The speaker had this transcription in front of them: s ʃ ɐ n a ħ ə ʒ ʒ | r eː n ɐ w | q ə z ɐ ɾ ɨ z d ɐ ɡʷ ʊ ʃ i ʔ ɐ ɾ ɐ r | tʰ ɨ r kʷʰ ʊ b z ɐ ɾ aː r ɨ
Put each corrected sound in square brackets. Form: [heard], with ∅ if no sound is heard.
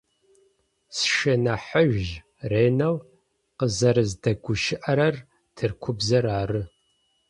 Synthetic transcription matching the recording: s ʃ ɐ n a ħ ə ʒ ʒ | r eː n ɐ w | q ə z ɐ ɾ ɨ z d ɐ ɡʷ ʊ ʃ [ɪ] ʔ ɐ ɾ ɐ r | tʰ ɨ r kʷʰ ʊ b z ɐ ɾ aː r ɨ